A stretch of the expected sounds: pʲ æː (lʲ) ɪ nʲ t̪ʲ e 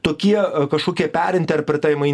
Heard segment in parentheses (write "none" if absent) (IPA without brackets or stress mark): ɾʲ